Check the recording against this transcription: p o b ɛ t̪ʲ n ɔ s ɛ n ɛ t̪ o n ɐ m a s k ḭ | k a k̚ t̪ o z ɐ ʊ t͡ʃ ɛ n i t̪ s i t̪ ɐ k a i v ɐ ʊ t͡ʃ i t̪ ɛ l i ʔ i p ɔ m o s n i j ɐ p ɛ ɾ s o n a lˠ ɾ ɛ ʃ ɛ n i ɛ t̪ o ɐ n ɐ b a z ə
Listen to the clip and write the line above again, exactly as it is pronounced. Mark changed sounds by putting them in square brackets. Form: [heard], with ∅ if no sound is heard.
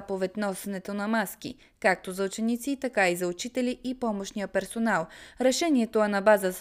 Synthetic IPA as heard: p o [v] ɛ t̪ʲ n ɔ s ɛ n ɛ t̪ o n ɐ m a s k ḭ | k a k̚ t̪ o z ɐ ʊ t͡ʃ ɛ n i t̪ s i t̪ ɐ k a i [z] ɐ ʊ t͡ʃ i t̪ ɛ l i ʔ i p ɔ m o [ʃ] n i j [ə] p ɛ ɾ s o n a lˠ ɾ ɛ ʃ ɛ n i ɛ t̪ o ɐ n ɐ b a z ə